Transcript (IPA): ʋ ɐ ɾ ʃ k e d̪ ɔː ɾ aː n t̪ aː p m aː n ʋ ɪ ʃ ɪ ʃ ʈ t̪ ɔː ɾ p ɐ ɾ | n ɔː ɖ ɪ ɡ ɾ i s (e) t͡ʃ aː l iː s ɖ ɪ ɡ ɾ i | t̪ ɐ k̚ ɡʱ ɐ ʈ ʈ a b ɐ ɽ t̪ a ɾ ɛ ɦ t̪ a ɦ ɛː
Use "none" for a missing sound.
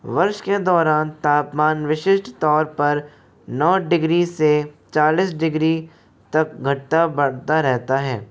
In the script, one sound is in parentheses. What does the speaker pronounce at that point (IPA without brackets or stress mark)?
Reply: e